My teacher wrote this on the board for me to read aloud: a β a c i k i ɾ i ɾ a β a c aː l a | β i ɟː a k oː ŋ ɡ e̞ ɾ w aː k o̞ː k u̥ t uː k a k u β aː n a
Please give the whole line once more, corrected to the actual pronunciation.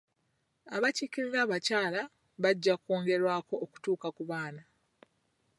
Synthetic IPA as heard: a β a c i k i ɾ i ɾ a β a c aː l a | β a ɟː a k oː ŋ ɡ e̞ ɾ w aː k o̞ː k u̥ t uː k a k u β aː n a